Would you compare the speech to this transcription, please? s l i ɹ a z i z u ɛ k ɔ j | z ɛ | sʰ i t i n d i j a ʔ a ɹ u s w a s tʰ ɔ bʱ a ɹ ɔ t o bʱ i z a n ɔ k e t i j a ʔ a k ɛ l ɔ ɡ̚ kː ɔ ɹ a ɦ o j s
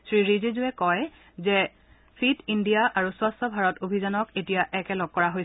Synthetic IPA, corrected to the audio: s ɹ i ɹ i z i z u ɛ k ɔ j | z ɛ | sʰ i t i n d i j a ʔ a ɹ u s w a s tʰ ɔ bʱ a ɹ ɔ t o bʱ i z a n ɔ k e t i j a ʔ ɛ k ɛ l ɔ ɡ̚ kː ɔ ɹ a ɦ o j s

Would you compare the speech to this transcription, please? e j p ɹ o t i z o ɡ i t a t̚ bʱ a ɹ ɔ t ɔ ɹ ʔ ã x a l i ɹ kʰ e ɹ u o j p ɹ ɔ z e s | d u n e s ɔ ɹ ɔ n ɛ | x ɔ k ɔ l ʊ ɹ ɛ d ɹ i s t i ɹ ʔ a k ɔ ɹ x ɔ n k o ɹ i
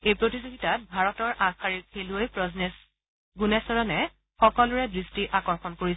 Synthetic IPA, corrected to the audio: e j p ɹ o t i z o ɡ i t a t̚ bʱ a ɹ ɔ t ɔ ɹ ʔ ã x a ɹ i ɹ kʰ e l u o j p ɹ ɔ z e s | ɡ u n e s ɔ ɹ ɔ n ɛ | x ɔ k ɔ l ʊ ɹ ɛ d ɹ i s t i ʔ a k ɔ ɹ x ɔ n k o ɹ i

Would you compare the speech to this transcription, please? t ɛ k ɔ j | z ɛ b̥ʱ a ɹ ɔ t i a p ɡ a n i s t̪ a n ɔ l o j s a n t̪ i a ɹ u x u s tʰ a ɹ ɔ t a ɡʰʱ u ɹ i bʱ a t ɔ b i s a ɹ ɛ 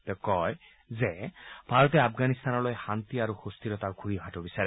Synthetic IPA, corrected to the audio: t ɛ k ɔ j | z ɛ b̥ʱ a ɹ ɔ t ɛ a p ɡ a n i s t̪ a n ɔ l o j x a n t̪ i a ɹ u x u s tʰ i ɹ ɔ t a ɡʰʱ u ɹ i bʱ a t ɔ b i s a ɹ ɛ

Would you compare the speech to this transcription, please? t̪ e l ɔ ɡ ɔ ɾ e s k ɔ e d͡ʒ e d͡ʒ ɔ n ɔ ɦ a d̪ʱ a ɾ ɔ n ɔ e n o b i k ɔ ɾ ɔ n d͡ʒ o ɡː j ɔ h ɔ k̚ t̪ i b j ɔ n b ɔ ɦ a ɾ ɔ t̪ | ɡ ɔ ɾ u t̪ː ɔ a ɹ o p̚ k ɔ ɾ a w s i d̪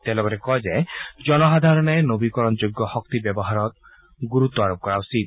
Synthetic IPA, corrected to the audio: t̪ e l ɔ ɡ ɔ ɾ e k ɔ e d͡ʒ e d͡ʒ ɔ n ɔ ɦ a d̪ʱ a ɾ ɔ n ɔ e n o b i k ɔ ɾ ɔ n d͡ʒ o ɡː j ɔ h ɔ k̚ t̪ i b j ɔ b ɔ ɦ a ɾ ɔ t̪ | ɡ u ɾ u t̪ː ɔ a ɾ o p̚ k ɔ ɾ a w s i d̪

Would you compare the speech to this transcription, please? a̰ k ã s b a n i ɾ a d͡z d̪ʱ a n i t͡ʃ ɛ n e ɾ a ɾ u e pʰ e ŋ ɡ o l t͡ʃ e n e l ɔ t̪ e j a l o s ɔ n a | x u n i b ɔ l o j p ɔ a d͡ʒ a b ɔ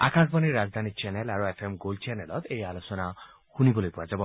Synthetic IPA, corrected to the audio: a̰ k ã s b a n i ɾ a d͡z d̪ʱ a n i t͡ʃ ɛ n e l a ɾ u e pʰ e m ɡ o l t͡ʃ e n e l ɔ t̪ e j a l o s ɔ n a | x u n i b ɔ l o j p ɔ a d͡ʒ a b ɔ

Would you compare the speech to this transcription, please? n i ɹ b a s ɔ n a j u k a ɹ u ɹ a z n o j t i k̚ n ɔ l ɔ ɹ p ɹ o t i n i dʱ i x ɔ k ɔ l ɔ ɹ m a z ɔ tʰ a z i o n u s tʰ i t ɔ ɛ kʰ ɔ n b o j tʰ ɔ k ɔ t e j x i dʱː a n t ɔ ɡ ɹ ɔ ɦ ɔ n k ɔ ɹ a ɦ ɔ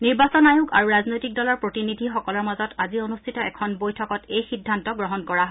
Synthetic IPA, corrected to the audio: n i ɹ b a s ɔ n a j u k a ɹ u ɹ a z n o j t i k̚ d ɔ l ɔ ɹ p ɹ o t i n i dʱ i x ɔ k ɔ l ɔ ɹ m a z ɔ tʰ a z i o n u s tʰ i t ɔ ɛ kʰ ɔ n b o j tʰ ɔ k ɔ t e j x i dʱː a n t ɔ ɡ ɹ ɔ ɦ ɔ n k ɔ ɹ a ɦ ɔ

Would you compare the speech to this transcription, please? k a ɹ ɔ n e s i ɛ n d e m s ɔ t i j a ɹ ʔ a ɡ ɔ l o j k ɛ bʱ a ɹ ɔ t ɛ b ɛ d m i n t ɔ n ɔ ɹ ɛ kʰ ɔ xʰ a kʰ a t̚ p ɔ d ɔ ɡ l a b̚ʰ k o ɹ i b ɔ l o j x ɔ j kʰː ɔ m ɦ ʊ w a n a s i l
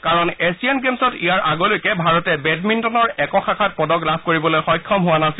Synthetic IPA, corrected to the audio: k a ɹ ɔ n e s i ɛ n ɡ e m s ɔ t i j a ɹ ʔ a ɡ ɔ l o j k ɛ bʱ a ɹ ɔ t ɛ b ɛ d m i n t ɔ n ɔ ɹ ɛ k ɔ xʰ a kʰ a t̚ p ɔ d ɔ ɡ l a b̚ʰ k o ɹ i b ɔ l o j x ɔ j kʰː ɔ m ɦ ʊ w a n a s i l

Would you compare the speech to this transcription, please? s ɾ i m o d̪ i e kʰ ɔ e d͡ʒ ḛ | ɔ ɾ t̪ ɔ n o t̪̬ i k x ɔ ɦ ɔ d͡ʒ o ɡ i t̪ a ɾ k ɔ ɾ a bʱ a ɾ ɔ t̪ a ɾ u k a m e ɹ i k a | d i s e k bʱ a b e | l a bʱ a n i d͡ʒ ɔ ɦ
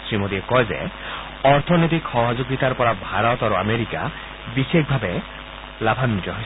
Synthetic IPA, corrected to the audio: s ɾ i m o d̪ i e k ɔ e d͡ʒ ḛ | ɔ ɾ t̪ʰ ɔ n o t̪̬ i k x ɔ ɦ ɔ d͡ʒ o ɡ i t̪ a ɾ p ɔ ɾ a bʱ a ɾ ɔ t̪ a ɾ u a m e ɾ i k a | b i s e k bʱ a b e | l a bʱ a n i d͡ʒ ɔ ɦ

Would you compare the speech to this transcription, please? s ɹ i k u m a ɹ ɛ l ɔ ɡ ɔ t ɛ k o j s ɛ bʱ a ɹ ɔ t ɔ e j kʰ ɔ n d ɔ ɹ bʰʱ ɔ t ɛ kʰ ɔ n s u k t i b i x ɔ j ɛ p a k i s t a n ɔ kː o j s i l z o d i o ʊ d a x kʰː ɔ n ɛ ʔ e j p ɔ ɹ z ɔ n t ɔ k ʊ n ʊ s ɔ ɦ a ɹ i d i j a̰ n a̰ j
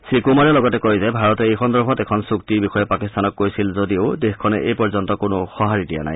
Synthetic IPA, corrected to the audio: s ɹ i k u m a ɹ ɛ l ɔ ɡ ɔ t ɛ k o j z ɛ bʱ a ɹ ɔ t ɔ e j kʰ ɔ n d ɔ ɹ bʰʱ ɔ t ɛ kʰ ɔ n s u k t i b i x ɔ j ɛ p a k i s t a n ɔ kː o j s i l z o d i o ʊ d e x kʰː ɔ n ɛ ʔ e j p ɔ ɹ z ɔ n t ɔ k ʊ n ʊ x ɔ ɦ a ɹ i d i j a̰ n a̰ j

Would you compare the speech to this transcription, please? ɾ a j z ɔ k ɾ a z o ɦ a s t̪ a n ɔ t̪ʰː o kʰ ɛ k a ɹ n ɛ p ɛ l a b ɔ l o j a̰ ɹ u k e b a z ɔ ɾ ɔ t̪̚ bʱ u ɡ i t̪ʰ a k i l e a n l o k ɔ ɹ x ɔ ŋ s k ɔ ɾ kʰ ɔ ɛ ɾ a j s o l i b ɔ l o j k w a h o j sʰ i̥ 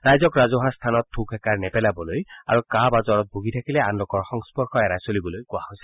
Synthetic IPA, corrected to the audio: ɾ a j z ɔ k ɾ a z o ɦ a s t̪ʰ a n ɔ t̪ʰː u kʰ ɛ k a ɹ n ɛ p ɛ l a b ɔ l o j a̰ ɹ u k a b a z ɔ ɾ ɔ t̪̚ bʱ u ɡ i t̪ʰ a k i l e a n l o k ɔ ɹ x ɔ ŋ s p ɔ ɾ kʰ ɔ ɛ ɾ a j s o l i b ɔ l o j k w a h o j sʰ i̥

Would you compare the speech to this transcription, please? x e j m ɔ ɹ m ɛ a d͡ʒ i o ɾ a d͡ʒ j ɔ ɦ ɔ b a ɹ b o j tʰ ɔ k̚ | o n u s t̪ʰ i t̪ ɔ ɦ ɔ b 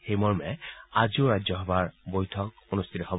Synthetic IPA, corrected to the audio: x e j m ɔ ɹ m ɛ a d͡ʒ i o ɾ a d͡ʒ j ɔ ɦ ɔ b a ɹ b o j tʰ ɔ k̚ | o n u s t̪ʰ i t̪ ɔ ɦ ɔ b

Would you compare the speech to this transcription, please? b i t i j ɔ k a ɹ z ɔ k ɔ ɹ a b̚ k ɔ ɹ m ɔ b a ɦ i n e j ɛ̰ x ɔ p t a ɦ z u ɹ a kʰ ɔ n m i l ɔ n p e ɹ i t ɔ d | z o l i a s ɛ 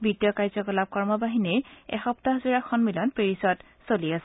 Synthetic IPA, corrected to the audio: b i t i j ɔ k a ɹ z ɔ k ɔ l a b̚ k ɔ ɹ m ɔ b a ɦ i n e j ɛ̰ x ɔ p t a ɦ z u ɹ a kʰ ɔ n m i l ɔ n p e ɹ i s ɔ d | s o l i a s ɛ

